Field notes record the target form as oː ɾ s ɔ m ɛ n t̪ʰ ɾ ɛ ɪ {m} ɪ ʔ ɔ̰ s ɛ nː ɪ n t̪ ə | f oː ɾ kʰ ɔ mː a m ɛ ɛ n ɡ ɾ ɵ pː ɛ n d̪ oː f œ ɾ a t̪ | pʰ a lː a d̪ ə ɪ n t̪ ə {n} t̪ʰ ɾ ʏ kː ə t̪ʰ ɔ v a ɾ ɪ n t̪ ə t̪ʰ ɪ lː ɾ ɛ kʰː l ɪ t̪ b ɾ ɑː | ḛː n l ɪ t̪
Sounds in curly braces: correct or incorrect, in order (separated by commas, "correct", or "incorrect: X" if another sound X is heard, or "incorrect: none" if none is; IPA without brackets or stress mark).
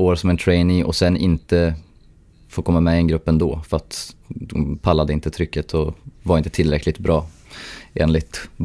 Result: incorrect: n, incorrect: none